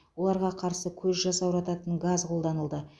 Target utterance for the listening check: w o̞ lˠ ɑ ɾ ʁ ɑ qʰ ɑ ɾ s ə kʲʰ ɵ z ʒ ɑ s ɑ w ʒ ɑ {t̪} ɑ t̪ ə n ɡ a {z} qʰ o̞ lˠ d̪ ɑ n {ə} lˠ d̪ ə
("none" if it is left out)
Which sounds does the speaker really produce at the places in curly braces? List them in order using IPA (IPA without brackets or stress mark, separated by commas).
t̪, z, ə